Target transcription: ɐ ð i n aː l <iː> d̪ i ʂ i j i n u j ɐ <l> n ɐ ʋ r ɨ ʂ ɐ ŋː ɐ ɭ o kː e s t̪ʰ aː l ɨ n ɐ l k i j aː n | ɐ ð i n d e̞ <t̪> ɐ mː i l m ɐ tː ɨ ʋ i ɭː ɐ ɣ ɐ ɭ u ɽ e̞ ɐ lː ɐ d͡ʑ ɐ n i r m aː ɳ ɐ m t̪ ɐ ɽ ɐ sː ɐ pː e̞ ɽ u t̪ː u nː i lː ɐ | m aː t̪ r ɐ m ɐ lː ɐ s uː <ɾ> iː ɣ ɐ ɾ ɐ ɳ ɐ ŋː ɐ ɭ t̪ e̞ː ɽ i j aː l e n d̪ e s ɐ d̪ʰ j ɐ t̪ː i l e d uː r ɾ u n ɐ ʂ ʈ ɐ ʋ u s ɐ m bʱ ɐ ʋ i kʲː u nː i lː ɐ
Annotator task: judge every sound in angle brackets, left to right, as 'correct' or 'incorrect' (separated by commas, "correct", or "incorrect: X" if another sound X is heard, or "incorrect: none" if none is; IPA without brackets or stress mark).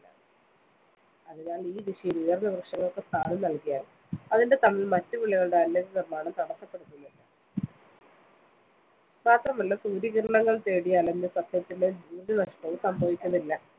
correct, incorrect: r, correct, correct